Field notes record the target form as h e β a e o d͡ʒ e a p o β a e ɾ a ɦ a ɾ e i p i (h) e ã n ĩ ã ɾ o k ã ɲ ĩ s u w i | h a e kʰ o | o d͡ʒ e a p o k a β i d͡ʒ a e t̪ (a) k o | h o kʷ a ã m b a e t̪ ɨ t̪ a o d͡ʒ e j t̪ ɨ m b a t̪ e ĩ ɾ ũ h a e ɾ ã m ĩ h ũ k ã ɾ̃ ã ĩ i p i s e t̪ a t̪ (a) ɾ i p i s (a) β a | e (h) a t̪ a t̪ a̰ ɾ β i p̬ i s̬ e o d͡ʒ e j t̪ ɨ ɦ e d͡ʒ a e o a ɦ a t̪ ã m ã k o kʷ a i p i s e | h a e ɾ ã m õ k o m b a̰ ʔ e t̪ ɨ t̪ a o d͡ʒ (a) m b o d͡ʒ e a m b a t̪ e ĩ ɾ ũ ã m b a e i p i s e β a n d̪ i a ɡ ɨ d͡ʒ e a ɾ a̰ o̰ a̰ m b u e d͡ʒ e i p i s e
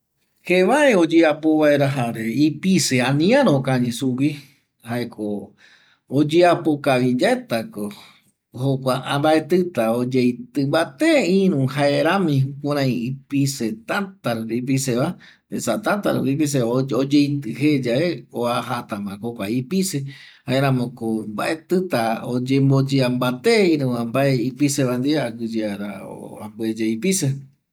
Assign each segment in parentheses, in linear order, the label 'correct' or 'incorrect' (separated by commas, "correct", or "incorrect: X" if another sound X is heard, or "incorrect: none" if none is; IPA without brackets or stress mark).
incorrect: s, correct, correct, incorrect: e, incorrect: s, incorrect: e